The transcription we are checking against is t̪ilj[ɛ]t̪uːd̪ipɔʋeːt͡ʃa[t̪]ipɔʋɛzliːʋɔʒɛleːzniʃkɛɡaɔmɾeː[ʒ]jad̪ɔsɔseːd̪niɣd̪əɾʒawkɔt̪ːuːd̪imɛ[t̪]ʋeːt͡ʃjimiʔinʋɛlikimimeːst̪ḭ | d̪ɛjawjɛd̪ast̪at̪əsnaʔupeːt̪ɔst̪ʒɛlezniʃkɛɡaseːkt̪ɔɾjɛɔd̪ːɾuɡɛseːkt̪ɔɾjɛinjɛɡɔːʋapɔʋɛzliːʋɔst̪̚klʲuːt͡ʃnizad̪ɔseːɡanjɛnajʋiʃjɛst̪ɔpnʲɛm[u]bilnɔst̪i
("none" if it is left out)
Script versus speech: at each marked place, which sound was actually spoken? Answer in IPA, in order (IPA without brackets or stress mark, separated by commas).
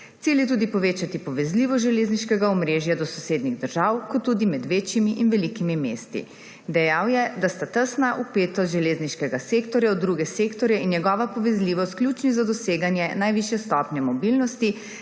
ɛ, t̪, ʒ, d̪, ɔ